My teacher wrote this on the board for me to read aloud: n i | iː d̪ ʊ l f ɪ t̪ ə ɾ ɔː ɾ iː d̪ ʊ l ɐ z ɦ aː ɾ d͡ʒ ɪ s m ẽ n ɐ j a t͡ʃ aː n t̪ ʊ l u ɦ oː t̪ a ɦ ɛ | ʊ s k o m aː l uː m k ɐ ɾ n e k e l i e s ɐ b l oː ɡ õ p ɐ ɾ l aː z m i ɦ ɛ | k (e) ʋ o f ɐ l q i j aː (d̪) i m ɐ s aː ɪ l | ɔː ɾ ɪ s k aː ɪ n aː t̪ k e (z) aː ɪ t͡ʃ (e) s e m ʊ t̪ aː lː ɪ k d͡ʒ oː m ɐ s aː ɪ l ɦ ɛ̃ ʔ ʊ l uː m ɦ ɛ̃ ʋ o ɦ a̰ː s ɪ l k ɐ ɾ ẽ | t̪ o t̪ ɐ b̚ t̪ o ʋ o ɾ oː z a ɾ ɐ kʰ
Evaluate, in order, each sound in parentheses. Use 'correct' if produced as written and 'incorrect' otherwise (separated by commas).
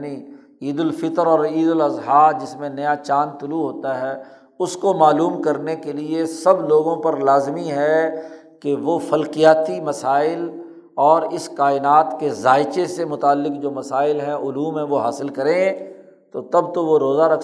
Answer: correct, incorrect, correct, correct